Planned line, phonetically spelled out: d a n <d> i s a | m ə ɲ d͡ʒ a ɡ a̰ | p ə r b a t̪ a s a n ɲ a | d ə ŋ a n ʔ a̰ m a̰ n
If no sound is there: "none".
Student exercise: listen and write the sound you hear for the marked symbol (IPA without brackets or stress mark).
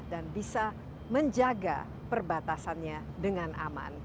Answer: b